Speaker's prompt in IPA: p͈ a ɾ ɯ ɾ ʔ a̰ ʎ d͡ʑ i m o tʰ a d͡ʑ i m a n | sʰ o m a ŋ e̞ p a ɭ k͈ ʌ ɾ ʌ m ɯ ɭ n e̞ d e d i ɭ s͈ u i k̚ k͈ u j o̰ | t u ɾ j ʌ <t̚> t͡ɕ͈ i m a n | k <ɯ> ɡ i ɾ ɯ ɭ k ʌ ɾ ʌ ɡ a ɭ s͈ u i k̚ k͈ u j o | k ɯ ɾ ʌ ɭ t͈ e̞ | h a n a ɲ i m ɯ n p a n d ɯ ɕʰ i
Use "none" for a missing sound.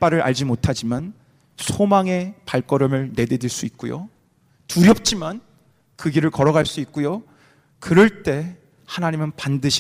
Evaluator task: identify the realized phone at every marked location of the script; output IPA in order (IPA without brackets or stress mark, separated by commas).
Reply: p̚, ɯ